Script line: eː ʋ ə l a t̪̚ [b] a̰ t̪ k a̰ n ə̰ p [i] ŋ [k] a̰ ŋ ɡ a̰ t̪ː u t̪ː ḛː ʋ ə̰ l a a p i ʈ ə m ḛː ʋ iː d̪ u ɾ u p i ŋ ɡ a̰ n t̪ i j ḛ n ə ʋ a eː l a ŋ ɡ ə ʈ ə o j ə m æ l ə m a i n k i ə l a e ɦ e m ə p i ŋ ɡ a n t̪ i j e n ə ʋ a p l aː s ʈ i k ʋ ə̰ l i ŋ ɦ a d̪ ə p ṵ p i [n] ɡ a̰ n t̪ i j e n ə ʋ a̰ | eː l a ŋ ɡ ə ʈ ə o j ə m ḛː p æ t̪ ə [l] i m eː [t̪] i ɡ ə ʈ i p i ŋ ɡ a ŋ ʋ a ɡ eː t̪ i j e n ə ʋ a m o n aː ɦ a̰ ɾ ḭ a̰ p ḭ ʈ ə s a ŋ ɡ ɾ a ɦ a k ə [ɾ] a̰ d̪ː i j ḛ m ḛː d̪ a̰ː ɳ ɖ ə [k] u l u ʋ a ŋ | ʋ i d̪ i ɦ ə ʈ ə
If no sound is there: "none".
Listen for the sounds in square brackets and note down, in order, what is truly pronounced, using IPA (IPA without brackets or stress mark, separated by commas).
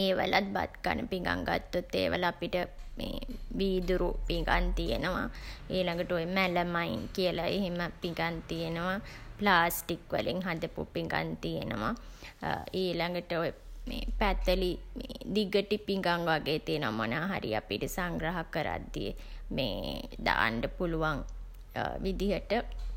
b, i, ɡ, ŋ, l, d̪, ɾ, p